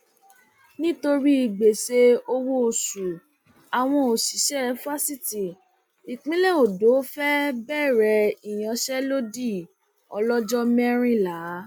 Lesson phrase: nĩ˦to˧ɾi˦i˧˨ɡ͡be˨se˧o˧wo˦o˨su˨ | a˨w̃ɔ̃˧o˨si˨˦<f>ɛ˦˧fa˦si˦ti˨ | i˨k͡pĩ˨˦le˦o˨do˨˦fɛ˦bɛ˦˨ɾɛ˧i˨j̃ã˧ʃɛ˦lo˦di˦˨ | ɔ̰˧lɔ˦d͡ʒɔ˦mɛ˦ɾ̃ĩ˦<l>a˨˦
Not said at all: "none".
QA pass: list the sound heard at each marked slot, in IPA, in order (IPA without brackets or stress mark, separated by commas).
ʃ, l